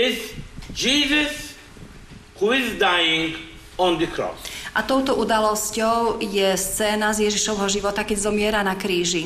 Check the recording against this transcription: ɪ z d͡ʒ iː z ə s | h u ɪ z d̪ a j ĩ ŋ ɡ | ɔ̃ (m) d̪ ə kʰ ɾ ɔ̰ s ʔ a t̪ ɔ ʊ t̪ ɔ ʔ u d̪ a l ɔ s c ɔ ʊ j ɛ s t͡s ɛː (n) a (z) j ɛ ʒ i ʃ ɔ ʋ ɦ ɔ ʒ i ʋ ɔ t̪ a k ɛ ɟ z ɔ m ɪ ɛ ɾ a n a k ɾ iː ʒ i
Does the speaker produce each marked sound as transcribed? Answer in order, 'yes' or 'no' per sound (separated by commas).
no, yes, yes